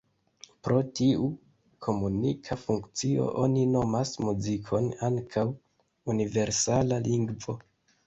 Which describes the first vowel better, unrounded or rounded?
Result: rounded